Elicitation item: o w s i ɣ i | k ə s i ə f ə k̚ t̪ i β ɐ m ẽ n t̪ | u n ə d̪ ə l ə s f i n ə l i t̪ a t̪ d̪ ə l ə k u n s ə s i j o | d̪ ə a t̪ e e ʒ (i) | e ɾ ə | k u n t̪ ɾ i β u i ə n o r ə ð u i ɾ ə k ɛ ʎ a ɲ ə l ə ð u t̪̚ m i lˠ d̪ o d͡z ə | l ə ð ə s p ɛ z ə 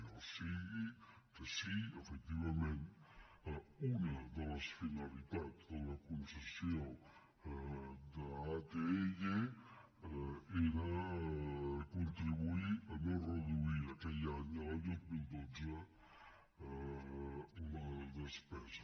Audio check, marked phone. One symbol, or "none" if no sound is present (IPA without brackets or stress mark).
e